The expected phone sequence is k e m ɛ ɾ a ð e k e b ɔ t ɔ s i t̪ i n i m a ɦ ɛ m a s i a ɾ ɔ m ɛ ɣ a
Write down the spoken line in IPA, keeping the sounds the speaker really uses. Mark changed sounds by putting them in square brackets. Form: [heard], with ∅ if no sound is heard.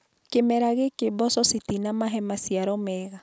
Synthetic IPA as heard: k e m ɛ ɾ a [ɣ] e k e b ɔ [s] ɔ s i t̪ i n [a] m a ɦ ɛ m a s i a ɾ ɔ m ɛ ɣ a